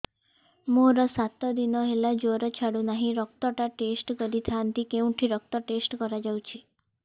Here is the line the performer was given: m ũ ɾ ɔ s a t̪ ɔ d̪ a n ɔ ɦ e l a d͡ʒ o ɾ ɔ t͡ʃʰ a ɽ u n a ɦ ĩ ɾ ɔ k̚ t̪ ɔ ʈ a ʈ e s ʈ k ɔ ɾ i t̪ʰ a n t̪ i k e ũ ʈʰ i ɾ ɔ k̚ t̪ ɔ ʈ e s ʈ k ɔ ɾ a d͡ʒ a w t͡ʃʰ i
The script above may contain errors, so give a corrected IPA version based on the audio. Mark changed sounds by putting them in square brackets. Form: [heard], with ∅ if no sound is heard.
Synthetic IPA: m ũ ɾ ɔ s a t̪ ɔ d̪ [i] n ɔ ɦ e l a d͡ʒ o ɾ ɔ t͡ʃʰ a ɽ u n a ɦ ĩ ɾ ɔ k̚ t̪ ɔ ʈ a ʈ e s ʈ k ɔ ɾ i t̪ʰ a n t̪ i k e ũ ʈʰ i ɾ ɔ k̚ t̪ ɔ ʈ e s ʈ k ɔ ɾ a d͡ʒ a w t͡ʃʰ i